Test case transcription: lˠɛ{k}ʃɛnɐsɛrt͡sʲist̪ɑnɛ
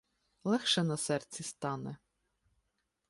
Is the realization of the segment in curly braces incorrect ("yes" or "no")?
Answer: yes